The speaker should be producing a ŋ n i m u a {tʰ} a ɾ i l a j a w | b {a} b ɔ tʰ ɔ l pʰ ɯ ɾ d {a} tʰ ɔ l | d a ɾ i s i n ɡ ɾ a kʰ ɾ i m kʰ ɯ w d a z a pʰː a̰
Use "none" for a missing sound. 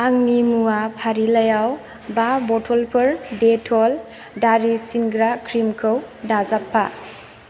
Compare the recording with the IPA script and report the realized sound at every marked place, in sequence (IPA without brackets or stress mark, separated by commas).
pʰ, a, e